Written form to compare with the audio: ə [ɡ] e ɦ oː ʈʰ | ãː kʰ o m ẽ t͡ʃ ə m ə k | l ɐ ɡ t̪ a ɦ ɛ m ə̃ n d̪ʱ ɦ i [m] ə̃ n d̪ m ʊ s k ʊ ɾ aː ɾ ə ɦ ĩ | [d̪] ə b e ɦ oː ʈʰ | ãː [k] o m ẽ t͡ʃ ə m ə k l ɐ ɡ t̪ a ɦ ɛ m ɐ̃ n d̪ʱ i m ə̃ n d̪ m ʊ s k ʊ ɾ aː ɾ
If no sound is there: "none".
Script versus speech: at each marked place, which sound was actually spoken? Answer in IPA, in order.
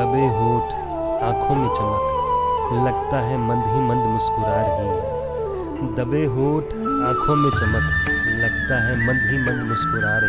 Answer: b, m, d̪, kʰ

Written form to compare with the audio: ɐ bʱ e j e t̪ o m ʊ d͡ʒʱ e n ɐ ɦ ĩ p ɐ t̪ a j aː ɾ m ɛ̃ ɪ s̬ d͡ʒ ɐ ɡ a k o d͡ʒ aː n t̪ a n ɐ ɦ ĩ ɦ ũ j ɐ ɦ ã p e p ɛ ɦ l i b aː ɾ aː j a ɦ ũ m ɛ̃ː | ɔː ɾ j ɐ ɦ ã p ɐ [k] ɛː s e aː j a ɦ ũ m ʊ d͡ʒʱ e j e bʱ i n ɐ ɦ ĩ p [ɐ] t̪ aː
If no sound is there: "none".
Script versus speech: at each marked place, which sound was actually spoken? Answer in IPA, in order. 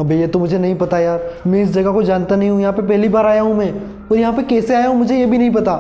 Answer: k, ɐ

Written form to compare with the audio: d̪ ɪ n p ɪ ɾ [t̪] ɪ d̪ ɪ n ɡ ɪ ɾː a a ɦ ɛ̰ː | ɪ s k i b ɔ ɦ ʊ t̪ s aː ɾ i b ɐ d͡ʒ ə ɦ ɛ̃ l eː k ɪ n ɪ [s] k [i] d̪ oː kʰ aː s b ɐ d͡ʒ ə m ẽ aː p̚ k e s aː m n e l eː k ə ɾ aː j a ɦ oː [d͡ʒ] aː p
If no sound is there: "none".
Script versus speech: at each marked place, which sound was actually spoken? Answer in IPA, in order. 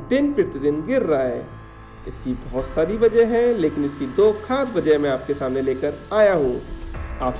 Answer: t̪, s, i, none

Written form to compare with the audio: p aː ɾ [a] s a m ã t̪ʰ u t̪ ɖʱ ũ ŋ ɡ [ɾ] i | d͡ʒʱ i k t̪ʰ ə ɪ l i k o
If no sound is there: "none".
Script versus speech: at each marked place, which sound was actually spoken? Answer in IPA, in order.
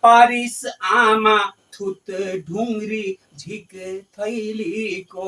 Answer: i, ɾ

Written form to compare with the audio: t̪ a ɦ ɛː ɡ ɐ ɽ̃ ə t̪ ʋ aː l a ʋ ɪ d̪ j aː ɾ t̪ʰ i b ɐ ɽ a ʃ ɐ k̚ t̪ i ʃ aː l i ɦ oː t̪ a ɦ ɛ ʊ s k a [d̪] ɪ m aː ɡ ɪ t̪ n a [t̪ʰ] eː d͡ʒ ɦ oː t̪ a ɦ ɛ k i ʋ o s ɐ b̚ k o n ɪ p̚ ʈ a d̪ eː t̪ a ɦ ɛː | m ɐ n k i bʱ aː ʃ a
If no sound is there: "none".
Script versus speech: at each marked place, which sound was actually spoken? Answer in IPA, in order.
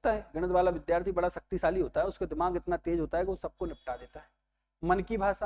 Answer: d̪, t̪

